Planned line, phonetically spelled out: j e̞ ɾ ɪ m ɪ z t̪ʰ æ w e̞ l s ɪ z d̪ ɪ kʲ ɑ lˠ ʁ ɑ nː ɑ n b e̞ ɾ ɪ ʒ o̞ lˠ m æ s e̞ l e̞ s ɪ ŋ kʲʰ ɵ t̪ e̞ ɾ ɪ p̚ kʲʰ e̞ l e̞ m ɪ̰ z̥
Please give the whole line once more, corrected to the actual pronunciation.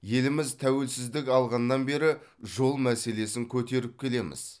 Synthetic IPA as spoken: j e̞ l ɪ m ɪ z t̪ʰ æ w e̞ l s ɪ z d̪ ɪ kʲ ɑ lˠ ʁ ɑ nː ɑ n b e̞ ɾ ɪ ʒ o̞ lˠ m æ s e̞ l e̞ s ɪ ŋ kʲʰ ɵ t̪ e̞ ɾ ɪ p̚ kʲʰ e̞ l e̞ m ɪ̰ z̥